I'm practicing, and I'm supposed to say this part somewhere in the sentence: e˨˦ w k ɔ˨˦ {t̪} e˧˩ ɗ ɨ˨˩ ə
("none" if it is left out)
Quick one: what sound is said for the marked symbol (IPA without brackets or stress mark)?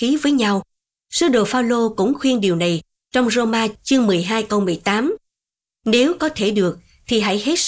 t̪ʰ